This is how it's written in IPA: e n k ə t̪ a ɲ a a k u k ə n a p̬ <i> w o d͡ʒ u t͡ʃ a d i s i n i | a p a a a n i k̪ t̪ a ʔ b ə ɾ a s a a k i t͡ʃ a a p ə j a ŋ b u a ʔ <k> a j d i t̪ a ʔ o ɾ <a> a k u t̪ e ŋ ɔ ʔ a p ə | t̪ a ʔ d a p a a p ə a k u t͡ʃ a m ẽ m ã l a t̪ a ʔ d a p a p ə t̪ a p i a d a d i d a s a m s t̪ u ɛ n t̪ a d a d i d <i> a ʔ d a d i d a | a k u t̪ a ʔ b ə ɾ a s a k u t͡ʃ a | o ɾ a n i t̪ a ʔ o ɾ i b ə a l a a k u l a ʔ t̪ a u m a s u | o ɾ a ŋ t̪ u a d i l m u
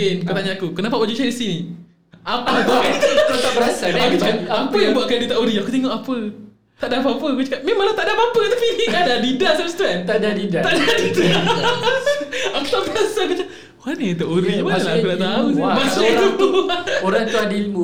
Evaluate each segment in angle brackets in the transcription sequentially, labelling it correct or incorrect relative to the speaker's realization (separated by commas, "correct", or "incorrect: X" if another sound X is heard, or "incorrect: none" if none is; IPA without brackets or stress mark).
incorrect: a, correct, incorrect: i, incorrect: a